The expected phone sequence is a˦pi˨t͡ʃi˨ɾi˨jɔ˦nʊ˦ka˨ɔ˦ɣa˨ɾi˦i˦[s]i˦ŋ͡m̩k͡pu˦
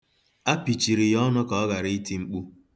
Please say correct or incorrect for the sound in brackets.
incorrect